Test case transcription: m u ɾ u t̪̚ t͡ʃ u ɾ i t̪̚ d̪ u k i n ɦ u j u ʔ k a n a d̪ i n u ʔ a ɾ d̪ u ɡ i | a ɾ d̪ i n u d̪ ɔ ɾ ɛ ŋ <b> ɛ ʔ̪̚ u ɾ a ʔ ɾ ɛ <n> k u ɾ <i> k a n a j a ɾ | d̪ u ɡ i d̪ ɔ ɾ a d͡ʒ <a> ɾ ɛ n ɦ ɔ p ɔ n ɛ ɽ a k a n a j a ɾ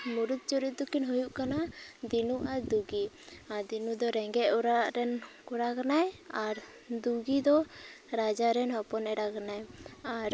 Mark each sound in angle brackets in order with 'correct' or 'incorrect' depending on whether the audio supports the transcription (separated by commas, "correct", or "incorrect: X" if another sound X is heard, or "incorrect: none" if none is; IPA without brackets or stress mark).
incorrect: ɡ, correct, incorrect: a, correct